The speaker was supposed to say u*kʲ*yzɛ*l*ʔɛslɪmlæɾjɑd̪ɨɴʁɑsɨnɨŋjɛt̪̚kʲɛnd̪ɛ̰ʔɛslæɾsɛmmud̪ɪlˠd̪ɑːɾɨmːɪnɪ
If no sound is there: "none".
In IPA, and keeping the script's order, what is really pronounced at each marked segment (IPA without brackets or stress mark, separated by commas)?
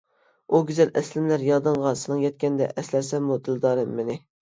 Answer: ɡʲ, l